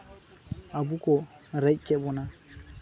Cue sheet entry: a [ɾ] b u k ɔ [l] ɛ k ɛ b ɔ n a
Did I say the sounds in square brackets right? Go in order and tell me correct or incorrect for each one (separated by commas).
incorrect, incorrect